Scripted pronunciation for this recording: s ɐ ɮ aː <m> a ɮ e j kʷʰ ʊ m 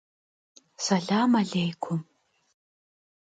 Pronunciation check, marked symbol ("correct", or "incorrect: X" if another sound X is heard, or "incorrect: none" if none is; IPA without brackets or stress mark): correct